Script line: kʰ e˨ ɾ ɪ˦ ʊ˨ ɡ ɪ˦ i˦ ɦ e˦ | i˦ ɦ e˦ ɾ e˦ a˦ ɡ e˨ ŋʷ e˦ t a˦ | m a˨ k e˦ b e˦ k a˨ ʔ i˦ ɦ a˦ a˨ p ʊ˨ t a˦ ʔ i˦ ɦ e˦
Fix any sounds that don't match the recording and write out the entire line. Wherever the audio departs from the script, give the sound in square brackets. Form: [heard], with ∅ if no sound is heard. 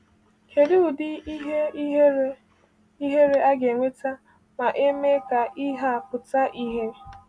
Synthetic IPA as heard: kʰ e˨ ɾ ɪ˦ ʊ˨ [d] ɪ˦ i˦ ɦ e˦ | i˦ ɦ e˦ ɾ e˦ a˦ ɡ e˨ ŋʷ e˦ t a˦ | m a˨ [ʔ] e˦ [m] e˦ k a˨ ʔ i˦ ɦ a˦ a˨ p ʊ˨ t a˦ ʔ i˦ ɦ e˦